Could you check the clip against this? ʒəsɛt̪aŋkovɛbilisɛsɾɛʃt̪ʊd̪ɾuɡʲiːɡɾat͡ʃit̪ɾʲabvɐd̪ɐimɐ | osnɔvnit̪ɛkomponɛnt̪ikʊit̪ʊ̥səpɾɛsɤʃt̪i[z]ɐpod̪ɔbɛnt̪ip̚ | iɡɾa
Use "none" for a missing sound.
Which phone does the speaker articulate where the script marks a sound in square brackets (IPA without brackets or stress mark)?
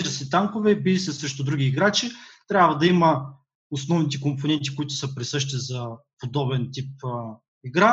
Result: z